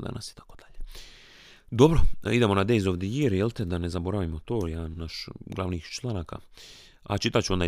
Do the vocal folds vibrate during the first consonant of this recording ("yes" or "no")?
yes